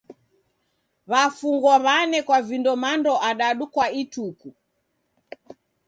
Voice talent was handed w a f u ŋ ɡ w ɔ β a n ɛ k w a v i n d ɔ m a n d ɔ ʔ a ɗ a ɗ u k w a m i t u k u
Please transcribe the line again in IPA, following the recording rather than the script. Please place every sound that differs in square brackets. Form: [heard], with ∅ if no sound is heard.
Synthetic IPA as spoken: [β] a f u ŋ ɡ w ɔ β a n ɛ k w a v i n d ɔ m a n d ɔ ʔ a ɗ a ɗ u k w a [∅] i t u k u